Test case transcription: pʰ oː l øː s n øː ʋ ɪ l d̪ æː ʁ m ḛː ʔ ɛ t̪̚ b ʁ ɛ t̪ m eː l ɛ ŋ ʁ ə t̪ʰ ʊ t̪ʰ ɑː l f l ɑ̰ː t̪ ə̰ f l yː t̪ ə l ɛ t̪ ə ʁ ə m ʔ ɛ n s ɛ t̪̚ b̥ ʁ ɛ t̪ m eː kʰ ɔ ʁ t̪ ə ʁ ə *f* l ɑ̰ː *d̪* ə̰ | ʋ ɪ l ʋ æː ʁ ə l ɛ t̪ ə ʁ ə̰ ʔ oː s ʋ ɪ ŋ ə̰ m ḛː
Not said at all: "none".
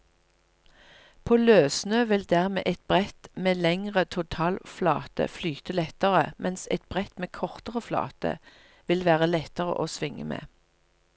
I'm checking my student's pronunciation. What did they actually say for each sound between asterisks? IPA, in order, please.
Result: f, t̪

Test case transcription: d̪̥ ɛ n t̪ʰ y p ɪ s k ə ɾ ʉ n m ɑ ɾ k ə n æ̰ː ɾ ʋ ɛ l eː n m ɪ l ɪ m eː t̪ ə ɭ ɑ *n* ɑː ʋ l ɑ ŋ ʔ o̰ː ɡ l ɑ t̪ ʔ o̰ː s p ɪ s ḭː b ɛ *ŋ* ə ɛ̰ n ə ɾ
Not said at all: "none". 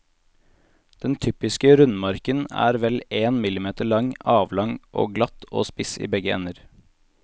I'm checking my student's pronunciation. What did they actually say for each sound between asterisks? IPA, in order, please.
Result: ŋ, ɡ

